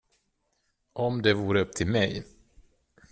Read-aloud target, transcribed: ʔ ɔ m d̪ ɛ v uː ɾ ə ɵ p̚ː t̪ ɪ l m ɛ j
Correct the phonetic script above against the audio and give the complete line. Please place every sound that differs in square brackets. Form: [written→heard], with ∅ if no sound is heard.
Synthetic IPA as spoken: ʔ ɔ m d̪ ɛ v uː ɾ ə ɵ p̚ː [t̪→t̪ʰ] ɪ l m ɛ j